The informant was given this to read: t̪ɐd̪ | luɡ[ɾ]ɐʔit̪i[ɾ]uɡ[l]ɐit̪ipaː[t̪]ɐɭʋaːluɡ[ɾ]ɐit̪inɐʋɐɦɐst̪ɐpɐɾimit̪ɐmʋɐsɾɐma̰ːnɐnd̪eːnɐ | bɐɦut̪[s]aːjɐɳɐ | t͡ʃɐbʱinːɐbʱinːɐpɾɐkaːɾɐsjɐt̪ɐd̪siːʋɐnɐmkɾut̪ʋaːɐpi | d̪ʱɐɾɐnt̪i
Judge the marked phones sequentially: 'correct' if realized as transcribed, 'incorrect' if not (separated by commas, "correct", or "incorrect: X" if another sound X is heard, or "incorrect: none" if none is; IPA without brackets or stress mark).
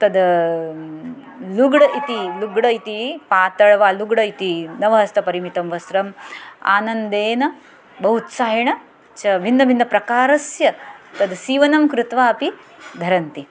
incorrect: ɽ, incorrect: l, incorrect: ɽ, correct, incorrect: ɽ, correct